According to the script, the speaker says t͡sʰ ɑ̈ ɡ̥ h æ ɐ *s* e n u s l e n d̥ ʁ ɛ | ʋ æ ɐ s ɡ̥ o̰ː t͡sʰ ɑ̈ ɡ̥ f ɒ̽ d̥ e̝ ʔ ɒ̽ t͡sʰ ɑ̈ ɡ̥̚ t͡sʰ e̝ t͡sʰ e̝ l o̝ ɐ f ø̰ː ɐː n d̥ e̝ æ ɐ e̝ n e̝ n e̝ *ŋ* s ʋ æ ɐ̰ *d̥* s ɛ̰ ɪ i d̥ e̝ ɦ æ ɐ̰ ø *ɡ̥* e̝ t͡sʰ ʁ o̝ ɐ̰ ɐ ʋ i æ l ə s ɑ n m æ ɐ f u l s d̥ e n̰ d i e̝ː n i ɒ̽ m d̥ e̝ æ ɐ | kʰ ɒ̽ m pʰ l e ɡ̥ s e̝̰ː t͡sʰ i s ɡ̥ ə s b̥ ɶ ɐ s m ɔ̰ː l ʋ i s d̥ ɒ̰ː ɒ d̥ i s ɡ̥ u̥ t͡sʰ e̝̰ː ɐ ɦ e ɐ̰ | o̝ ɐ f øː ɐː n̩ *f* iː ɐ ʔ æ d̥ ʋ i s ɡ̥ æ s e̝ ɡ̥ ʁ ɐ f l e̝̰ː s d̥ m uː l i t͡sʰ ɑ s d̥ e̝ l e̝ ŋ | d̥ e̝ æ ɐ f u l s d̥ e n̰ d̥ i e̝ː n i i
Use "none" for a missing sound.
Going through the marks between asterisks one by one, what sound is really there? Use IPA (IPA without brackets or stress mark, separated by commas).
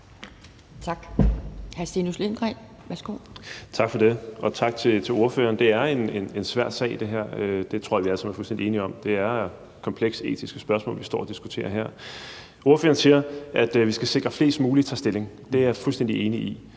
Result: s, n, d̥, d̥, s